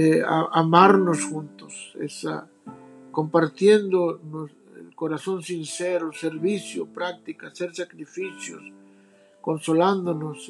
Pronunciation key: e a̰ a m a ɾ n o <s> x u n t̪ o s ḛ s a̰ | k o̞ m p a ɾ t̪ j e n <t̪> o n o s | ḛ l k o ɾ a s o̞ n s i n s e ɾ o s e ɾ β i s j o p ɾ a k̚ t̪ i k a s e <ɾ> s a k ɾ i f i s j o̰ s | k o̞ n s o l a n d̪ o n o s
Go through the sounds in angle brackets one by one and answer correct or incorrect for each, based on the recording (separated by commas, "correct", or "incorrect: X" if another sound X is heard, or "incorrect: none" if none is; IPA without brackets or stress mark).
correct, incorrect: d̪, correct